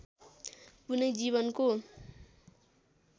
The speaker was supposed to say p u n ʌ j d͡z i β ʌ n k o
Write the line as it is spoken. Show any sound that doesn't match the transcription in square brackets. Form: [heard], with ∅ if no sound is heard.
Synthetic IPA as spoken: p u n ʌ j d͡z i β ʌ n k o